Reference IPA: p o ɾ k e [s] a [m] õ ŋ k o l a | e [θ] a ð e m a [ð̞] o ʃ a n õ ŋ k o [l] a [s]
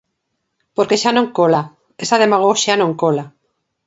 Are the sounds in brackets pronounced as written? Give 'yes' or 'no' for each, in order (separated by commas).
no, no, no, no, yes, no